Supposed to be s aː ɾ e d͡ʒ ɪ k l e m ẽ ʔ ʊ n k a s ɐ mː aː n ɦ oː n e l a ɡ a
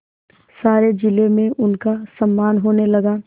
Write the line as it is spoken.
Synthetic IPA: s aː ɾ e d͡ʒ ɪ l e m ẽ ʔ ʊ n k a s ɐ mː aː n ɦ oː n e l ɐ ɡ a